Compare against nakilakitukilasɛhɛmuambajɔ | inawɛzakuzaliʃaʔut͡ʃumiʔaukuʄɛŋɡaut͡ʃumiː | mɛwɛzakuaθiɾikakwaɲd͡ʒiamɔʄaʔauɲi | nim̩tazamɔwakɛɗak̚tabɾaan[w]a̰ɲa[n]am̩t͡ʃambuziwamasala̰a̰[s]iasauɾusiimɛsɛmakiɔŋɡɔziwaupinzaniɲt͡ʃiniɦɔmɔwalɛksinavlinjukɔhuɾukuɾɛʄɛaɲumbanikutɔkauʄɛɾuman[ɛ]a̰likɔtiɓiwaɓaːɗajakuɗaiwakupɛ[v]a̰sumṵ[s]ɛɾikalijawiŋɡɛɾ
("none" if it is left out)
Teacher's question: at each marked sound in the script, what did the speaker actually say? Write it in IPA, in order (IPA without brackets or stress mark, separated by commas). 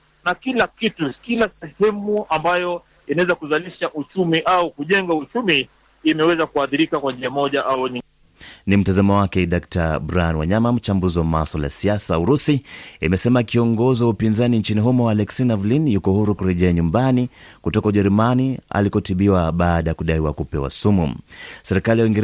w, m, s, i, w, s